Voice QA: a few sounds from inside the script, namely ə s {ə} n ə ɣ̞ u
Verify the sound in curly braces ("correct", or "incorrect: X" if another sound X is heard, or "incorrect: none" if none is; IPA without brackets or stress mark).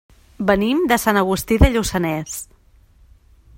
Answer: incorrect: a